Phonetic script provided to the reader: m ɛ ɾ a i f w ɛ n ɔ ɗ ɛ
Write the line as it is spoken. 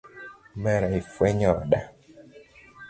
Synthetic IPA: m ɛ ɾ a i f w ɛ ɲ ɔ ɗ a